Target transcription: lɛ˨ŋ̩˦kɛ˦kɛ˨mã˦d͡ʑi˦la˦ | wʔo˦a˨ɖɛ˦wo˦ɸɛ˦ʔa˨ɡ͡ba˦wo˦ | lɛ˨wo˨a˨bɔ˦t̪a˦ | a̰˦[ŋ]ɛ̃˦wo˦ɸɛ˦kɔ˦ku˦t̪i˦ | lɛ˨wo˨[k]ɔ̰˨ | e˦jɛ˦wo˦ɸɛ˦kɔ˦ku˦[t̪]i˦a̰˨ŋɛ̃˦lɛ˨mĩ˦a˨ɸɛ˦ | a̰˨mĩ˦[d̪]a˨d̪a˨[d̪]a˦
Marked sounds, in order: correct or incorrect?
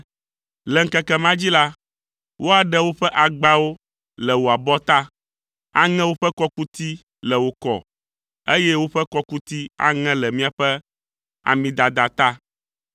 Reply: correct, correct, correct, correct, incorrect

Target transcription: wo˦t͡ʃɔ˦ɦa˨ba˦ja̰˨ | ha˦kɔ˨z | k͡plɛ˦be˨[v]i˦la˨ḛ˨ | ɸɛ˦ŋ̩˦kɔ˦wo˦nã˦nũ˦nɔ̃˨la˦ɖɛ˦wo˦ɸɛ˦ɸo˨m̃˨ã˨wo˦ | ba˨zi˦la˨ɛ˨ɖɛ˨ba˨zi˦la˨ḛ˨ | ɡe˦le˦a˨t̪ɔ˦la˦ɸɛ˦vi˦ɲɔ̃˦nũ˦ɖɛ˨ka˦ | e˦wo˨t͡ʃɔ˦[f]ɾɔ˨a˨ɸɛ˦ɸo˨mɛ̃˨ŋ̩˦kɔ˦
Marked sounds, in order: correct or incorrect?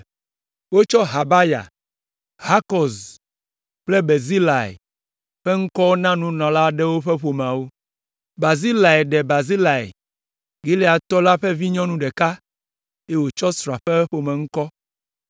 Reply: incorrect, incorrect

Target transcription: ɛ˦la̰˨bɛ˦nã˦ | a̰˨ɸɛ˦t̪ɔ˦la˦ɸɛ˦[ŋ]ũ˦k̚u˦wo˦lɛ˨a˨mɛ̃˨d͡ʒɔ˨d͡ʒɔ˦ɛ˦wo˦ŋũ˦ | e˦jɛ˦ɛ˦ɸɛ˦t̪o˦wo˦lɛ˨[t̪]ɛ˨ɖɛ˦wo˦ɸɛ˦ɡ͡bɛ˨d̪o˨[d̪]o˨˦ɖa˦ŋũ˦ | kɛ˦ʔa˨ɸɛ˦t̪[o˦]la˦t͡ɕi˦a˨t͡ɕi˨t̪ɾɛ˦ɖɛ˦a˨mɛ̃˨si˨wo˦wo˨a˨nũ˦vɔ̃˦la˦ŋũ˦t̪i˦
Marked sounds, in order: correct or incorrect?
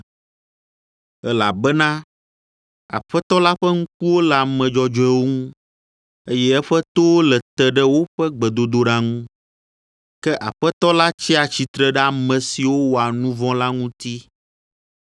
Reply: correct, correct, correct, incorrect

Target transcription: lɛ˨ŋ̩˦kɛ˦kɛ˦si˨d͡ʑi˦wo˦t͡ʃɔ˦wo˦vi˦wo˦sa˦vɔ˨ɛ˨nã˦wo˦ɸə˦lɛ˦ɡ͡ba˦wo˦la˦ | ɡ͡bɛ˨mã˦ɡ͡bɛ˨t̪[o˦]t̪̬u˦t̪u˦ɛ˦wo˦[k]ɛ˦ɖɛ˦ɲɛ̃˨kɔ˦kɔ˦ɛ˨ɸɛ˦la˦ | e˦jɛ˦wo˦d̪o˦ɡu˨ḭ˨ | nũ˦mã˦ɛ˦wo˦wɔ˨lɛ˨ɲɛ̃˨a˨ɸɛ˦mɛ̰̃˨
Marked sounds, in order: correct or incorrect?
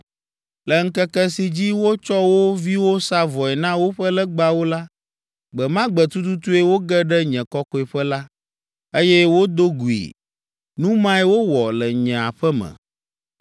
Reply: incorrect, incorrect

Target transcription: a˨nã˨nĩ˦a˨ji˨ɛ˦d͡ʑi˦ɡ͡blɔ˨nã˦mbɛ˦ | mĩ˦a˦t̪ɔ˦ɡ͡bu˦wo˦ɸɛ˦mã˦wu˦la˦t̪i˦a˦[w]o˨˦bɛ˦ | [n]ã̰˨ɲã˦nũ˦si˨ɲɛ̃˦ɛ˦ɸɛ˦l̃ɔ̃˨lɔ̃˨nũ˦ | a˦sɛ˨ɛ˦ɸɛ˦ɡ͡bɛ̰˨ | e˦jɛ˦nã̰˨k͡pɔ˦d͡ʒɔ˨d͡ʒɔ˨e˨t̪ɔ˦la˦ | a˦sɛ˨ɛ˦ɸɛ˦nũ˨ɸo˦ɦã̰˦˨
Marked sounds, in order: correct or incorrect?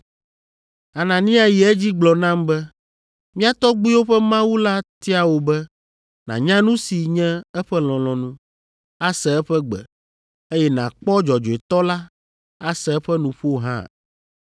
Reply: correct, correct

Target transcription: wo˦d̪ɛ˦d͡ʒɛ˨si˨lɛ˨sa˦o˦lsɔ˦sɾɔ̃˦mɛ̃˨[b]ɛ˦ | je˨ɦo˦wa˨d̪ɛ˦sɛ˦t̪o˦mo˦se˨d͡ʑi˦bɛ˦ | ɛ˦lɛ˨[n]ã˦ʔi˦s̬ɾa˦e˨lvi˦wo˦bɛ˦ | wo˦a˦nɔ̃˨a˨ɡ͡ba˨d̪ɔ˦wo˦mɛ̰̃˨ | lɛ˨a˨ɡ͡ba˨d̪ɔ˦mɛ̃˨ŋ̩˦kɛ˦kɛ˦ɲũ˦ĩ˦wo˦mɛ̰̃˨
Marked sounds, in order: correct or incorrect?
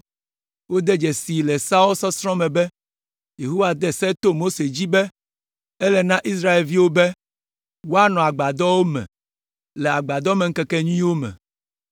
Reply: correct, correct

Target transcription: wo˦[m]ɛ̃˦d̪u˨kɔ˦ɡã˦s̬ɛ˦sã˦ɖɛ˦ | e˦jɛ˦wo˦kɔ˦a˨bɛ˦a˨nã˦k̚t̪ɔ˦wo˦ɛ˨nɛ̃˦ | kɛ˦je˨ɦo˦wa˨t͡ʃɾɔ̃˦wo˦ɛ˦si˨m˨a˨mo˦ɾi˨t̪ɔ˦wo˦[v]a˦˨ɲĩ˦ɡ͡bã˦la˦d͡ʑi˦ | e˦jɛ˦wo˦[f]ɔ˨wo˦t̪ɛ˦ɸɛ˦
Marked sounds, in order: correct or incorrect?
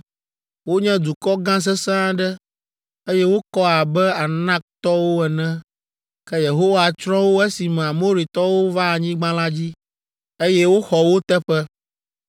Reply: incorrect, correct, incorrect

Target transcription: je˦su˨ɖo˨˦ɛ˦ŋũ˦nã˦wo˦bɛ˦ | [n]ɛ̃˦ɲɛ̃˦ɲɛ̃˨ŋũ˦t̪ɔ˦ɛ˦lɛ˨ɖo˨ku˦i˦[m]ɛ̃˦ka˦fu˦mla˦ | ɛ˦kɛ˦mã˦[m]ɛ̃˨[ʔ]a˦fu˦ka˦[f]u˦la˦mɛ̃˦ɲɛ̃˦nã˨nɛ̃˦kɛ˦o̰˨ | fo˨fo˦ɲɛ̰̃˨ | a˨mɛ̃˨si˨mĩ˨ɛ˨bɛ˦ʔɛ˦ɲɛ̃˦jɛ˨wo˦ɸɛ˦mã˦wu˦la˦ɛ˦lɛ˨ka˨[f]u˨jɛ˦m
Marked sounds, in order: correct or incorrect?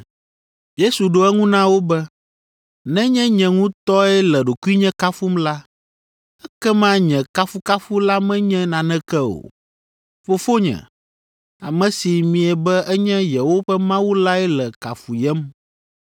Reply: correct, incorrect, incorrect, incorrect, correct, correct

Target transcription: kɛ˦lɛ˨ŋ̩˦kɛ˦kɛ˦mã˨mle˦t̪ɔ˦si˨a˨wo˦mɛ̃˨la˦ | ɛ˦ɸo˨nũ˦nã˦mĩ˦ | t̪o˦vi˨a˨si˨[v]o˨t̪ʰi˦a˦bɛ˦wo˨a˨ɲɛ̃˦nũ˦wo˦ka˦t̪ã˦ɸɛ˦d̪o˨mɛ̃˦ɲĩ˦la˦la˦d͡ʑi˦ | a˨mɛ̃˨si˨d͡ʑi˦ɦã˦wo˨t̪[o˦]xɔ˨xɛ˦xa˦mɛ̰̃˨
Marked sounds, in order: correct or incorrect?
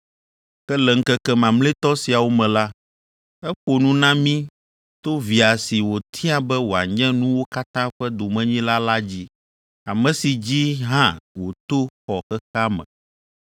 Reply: incorrect, correct

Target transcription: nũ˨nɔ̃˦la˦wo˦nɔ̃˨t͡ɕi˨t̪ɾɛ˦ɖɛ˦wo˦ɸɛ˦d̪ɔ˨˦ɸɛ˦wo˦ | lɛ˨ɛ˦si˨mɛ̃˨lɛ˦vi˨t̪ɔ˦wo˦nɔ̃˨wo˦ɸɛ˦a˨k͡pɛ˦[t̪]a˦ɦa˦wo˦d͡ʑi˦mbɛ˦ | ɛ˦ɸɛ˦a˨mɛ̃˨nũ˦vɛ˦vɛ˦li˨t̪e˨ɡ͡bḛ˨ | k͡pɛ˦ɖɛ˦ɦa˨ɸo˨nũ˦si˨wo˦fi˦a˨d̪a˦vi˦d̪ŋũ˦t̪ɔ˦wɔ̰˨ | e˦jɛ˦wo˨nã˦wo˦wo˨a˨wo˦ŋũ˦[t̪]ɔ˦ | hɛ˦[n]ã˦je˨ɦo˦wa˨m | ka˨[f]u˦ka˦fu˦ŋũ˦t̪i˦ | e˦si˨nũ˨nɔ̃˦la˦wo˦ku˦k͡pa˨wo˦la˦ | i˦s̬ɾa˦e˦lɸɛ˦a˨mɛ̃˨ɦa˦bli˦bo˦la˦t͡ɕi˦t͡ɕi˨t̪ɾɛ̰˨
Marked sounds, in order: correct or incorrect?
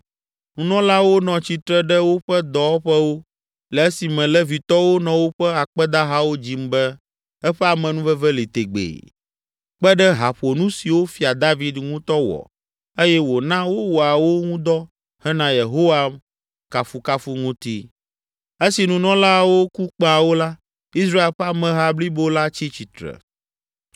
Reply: incorrect, incorrect, correct, correct

